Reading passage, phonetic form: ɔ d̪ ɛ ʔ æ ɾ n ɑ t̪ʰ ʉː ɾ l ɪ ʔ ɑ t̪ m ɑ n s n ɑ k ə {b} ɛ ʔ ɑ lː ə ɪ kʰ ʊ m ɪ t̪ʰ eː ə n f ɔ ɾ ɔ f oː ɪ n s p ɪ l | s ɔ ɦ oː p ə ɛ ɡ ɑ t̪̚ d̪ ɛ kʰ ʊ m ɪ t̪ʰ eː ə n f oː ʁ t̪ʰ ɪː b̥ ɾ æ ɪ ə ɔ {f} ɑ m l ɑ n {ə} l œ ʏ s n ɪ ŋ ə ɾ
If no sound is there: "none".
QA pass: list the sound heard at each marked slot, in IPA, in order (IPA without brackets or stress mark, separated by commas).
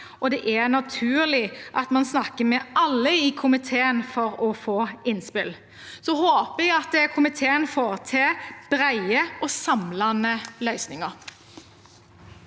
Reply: m, s, ə